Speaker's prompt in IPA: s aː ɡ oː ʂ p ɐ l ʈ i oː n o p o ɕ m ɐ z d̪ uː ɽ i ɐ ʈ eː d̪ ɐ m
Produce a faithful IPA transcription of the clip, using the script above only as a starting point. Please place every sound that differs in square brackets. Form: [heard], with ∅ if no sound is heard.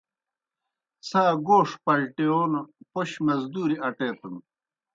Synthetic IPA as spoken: s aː ɡ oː ʂ p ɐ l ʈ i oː n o p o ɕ m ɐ z d̪ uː [ɾ] i ɐ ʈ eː [t̪] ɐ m